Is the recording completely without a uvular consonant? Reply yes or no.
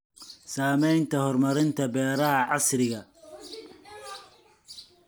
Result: yes